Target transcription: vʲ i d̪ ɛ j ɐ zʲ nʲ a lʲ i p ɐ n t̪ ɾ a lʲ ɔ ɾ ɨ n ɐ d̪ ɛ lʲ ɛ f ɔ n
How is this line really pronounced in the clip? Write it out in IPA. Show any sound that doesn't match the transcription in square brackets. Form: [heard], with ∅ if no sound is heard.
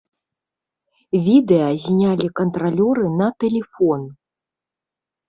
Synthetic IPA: vʲ i d̪ ɛ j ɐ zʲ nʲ a lʲ i [k] ɐ n t̪ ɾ a lʲ ɔ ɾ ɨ n ɐ [t̪] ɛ lʲ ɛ f ɔ n